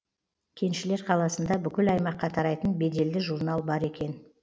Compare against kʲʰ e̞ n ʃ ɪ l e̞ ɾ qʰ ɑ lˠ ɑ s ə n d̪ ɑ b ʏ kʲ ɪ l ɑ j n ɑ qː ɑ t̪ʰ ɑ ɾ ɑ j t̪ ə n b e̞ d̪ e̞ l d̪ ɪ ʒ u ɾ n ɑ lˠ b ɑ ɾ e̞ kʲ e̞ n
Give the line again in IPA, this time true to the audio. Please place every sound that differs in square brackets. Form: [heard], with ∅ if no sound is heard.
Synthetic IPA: kʲʰ e̞ n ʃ ɪ l e̞ ɾ qʰ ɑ lˠ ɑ s ə n d̪ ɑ b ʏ kʲ ɪ l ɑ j [m] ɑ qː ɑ t̪ʰ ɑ ɾ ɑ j t̪ ə n b e̞ d̪ e̞ l d̪ ɪ ʒ u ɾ n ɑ lˠ b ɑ ɾ e̞ kʲ e̞ n